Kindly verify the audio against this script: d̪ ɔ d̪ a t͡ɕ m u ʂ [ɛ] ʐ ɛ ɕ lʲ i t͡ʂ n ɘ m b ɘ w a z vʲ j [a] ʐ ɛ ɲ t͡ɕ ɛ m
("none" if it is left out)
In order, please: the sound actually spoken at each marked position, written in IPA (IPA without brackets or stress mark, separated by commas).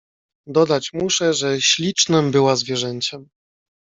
ɛ, ɛ